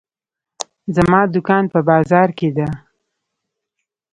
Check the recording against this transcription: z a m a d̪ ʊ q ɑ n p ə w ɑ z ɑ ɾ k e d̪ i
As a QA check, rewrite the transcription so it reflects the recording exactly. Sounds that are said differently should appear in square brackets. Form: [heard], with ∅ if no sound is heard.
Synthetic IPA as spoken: z a m [ɑ] d̪ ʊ [k] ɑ n p ə [b] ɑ z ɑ ɾ k e d̪ [a]